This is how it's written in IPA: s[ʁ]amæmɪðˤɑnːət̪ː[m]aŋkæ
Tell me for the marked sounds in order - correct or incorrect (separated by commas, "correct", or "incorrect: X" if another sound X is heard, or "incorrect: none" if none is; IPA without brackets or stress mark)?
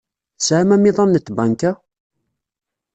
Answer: incorrect: ʕ, incorrect: b